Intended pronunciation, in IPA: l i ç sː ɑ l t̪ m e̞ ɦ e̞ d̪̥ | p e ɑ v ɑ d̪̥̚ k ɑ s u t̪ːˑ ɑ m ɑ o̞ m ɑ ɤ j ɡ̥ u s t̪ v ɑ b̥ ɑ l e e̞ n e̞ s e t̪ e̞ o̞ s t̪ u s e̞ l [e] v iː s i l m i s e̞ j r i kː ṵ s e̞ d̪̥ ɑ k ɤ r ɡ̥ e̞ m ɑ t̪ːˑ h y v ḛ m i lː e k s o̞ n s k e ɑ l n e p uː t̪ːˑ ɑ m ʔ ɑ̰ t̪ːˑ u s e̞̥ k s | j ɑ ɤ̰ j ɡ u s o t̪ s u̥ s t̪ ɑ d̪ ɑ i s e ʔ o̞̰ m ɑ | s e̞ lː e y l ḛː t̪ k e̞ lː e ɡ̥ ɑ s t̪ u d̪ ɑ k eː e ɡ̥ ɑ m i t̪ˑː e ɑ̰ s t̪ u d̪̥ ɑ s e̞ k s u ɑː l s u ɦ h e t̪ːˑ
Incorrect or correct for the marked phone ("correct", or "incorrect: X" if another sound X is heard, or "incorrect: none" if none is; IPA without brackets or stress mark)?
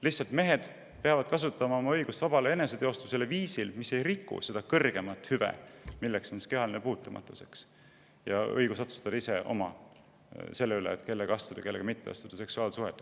correct